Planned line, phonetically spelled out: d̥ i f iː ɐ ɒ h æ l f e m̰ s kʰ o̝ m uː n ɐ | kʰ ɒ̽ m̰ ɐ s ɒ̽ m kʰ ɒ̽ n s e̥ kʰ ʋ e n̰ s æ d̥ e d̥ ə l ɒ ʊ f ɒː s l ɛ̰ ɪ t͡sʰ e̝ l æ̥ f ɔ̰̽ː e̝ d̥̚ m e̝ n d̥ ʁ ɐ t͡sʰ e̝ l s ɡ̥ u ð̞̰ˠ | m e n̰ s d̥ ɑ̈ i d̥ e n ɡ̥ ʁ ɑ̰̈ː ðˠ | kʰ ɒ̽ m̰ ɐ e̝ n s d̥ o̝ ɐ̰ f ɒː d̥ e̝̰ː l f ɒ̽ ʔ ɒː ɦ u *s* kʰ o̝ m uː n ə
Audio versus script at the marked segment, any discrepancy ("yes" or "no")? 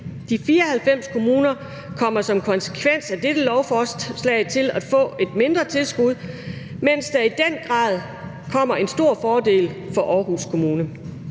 no